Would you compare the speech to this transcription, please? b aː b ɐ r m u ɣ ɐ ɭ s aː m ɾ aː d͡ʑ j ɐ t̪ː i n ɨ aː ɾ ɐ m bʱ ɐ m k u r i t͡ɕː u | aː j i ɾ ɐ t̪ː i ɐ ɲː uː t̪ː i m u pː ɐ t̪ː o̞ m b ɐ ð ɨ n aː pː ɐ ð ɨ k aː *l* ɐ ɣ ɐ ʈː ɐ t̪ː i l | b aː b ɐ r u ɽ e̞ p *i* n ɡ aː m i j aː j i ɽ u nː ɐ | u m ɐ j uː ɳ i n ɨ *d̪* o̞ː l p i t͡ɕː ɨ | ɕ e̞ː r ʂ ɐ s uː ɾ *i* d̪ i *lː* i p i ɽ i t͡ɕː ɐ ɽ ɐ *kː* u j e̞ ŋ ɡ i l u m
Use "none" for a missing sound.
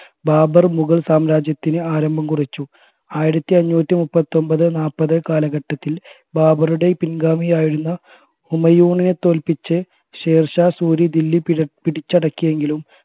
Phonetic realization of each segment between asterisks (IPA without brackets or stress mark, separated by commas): l, i, t̪, i, lː, kː